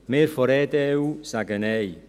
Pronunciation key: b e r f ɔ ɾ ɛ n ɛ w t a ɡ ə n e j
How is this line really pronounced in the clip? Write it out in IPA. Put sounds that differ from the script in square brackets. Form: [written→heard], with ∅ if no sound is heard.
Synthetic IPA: [b→m] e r f ɔ ɾ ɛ [n→d] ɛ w [t→s] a ɡ ə n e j